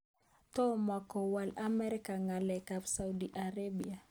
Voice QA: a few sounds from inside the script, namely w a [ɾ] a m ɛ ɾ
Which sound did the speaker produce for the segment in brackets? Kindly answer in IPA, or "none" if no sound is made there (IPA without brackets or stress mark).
l